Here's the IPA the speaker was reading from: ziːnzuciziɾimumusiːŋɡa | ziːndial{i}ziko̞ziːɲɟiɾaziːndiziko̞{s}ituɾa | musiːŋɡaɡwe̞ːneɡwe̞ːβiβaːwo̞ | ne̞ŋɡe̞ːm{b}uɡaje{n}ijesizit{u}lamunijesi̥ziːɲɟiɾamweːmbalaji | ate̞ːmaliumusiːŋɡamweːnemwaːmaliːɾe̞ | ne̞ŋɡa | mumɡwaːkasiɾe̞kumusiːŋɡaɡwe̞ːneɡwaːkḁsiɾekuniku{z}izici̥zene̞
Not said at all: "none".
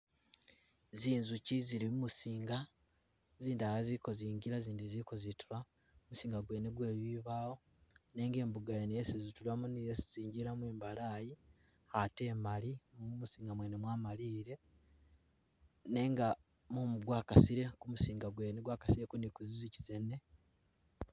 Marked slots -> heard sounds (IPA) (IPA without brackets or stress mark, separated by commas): a, z, b, n, u, z